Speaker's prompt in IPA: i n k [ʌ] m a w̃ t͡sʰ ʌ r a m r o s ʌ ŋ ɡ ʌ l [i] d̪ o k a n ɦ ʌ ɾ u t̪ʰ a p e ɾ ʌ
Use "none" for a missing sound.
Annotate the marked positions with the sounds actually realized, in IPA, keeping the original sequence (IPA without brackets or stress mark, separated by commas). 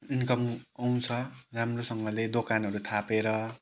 ʌ, e